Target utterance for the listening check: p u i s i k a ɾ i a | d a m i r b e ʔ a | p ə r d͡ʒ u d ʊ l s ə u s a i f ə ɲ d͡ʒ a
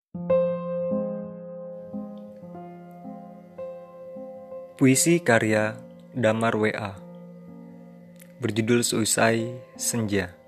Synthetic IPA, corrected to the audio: p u i s i k a ɾ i a | d a m a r w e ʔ a | b ə r d͡ʒ u d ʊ l s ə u s a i s ə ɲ d͡ʒ a